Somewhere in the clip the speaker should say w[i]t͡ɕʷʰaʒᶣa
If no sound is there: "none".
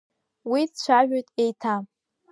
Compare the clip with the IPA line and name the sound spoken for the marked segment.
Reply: i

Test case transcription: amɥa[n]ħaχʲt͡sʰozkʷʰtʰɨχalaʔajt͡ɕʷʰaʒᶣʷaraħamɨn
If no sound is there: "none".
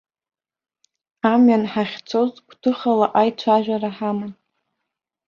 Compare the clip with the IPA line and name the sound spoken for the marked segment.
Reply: n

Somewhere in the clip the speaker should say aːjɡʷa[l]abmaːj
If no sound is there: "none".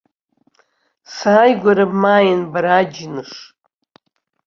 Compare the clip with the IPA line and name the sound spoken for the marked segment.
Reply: ɾ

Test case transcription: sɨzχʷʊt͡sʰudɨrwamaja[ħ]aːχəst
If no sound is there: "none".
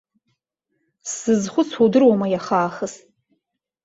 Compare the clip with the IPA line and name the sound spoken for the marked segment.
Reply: χ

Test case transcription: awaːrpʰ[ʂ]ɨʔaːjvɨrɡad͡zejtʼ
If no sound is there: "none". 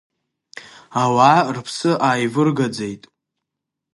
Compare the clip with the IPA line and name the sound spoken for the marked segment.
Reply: s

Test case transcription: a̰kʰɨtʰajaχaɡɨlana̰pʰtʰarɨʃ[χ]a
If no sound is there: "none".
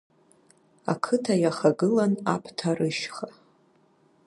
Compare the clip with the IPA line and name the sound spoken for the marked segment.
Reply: χ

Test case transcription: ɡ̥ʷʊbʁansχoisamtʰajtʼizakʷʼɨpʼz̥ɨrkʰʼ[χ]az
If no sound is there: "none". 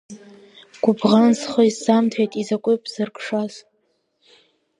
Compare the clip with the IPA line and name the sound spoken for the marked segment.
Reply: ʂ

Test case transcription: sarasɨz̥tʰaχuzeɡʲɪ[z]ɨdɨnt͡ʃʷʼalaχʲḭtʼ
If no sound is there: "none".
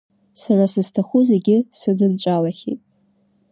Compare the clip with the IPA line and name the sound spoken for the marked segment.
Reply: s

